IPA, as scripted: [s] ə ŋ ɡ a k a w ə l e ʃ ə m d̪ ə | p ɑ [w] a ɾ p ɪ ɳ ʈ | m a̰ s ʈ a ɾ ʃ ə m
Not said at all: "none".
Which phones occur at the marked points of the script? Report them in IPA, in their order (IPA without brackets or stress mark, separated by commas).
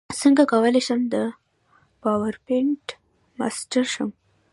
s, w